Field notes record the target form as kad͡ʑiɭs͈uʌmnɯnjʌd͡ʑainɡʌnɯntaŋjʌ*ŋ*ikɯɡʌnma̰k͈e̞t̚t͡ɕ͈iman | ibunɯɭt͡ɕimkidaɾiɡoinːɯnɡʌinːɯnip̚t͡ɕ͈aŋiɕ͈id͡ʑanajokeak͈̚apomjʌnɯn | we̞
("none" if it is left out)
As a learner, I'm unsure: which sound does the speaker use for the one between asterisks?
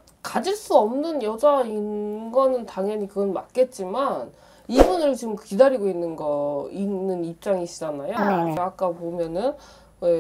ɲ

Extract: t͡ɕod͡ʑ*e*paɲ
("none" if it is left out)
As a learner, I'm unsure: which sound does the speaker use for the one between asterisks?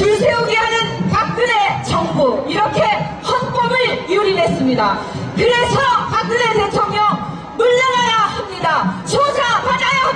a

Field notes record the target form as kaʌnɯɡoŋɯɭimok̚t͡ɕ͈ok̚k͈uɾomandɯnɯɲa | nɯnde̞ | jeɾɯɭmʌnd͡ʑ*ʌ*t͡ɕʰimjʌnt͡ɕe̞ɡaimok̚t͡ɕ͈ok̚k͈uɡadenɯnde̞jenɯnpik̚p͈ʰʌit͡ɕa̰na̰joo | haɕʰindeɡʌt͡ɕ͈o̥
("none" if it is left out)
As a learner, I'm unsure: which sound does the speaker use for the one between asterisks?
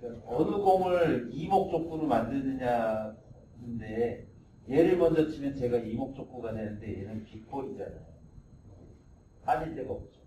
ʌ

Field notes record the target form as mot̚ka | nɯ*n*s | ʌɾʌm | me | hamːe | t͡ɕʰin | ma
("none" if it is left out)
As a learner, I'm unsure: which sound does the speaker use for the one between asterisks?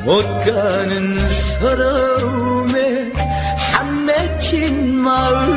n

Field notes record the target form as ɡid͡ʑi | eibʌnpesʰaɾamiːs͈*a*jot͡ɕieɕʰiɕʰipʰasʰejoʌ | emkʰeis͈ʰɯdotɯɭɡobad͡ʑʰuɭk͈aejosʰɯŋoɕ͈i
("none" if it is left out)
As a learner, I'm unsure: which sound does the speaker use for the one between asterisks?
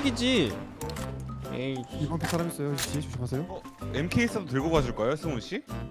ʌ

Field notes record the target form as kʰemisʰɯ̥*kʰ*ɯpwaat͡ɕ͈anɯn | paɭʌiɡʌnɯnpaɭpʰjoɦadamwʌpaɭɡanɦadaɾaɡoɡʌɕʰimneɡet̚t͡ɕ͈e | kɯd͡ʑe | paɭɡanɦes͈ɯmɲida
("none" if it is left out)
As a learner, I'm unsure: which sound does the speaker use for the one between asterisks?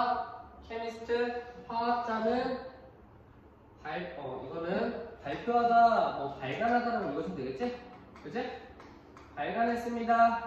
tʰ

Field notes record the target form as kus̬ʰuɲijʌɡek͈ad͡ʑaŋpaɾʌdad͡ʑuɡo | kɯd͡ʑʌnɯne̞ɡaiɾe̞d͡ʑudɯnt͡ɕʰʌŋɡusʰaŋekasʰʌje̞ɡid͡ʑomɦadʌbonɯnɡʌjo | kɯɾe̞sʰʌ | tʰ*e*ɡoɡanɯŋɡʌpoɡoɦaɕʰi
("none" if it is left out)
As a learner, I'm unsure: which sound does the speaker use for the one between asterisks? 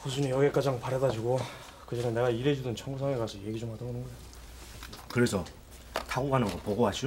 a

